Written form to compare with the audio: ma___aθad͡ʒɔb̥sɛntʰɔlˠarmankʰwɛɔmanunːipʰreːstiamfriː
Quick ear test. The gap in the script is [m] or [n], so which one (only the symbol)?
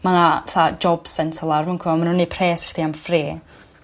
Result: n